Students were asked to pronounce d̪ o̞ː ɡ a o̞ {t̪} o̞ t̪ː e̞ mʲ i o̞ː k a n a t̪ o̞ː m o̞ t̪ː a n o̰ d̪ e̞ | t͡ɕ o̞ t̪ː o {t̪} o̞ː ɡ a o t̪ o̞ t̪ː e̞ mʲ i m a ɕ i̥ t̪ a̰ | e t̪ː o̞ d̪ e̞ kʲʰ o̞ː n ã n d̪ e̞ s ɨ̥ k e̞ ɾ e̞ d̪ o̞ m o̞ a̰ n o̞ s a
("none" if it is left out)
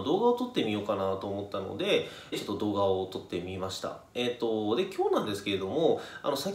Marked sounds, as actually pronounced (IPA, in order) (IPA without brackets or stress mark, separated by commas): t̪, d̪